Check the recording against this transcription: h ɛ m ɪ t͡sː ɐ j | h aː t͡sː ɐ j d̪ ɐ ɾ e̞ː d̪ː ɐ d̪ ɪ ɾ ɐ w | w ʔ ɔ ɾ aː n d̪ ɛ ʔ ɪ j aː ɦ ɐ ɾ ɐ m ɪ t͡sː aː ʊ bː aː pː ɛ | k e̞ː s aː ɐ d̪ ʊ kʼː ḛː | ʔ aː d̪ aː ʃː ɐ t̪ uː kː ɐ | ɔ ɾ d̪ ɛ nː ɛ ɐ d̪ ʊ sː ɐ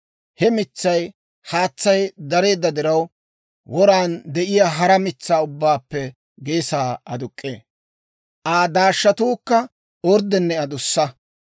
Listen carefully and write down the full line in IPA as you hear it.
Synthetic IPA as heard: h ɛ m ɪ t͡sː ɐ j | h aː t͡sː ɐ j d̪ ɐ ɾ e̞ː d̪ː ɐ d̪ ɪ ɾ ɐ w | w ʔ ɔ ɾ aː n d̪ ɛ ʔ ɪ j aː ɦ ɐ ɾ ɐ m ɪ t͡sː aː ʊ bː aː pː ɛ | ɡ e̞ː s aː ɐ d̪ ʊ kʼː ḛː | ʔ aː d̪ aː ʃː ɐ t̪ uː kː ɐ | ɔ ɾ d̪ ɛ nː ɛ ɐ d̪ ʊ sː ɐ